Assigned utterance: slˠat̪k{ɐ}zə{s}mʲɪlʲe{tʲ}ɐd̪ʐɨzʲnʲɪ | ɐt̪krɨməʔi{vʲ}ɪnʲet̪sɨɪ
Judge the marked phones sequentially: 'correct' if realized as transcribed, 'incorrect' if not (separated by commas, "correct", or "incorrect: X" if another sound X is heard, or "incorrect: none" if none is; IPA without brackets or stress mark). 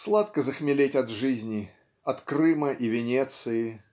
incorrect: ə, incorrect: x, correct, correct